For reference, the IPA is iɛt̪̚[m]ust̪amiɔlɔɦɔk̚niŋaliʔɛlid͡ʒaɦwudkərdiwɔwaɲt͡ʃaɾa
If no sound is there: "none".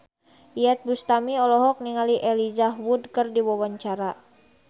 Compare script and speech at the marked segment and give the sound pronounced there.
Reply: b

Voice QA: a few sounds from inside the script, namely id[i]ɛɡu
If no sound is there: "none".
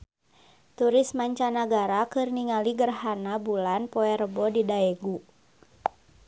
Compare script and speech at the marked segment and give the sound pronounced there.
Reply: a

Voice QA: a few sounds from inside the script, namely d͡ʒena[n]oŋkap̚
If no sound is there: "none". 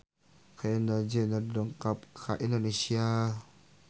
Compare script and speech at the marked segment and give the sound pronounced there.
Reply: d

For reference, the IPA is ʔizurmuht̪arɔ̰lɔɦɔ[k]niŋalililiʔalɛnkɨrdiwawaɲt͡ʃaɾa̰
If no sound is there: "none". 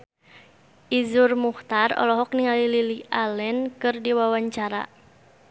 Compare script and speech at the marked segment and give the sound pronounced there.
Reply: k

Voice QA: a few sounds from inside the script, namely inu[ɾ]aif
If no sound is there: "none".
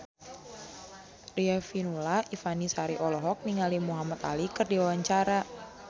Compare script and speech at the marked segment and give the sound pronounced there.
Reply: l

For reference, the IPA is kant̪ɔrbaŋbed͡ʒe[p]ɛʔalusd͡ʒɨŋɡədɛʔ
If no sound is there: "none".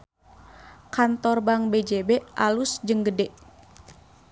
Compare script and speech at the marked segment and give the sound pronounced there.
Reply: b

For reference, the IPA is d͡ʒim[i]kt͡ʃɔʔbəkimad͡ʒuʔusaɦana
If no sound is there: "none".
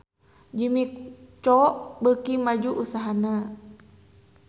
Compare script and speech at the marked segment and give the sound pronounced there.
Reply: i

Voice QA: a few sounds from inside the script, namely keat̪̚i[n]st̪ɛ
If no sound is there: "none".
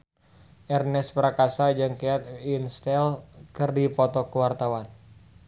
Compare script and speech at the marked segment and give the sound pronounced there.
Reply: n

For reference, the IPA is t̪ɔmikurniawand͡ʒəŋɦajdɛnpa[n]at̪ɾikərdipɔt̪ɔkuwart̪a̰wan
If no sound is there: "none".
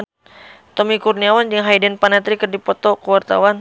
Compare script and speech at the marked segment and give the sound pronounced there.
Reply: n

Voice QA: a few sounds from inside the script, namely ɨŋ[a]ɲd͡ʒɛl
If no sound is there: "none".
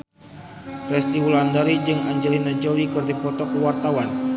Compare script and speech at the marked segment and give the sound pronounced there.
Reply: a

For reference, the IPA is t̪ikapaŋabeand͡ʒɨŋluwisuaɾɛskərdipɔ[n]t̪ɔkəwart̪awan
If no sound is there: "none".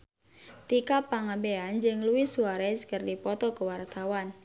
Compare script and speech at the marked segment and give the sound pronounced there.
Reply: none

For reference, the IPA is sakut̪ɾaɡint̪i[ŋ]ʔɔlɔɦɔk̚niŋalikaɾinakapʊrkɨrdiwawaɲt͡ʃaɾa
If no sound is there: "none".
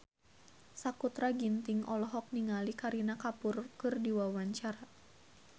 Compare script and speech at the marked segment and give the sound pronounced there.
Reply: ŋ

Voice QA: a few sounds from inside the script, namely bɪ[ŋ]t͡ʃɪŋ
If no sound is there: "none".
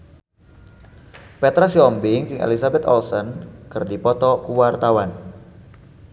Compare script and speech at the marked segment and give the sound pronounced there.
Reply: ŋ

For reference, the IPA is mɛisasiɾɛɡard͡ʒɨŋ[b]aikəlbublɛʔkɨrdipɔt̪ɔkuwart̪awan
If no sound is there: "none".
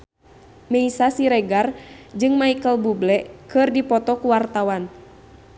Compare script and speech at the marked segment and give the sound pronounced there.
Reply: m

